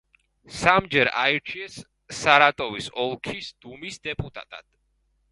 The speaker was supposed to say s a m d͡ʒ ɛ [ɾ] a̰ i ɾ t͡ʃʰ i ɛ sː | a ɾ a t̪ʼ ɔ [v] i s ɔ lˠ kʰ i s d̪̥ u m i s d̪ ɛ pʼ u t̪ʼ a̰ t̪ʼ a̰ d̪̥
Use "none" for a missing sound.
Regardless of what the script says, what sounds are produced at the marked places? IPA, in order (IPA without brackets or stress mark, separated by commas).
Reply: ɾ, v